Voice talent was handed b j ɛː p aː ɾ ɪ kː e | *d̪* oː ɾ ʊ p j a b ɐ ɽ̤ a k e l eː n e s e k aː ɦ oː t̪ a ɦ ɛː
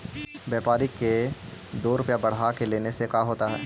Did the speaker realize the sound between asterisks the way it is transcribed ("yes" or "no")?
yes